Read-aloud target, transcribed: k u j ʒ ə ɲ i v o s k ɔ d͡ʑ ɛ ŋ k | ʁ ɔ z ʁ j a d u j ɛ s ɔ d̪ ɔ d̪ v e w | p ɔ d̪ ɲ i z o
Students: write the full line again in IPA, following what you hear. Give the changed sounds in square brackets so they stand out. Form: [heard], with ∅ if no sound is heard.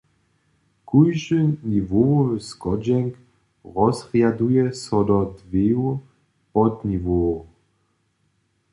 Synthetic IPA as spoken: k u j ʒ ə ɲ i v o s k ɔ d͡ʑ ɛ ŋ k | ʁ ɔ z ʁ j a d u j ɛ s ɔ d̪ ɔ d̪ v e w | p ɔ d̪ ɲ i [v] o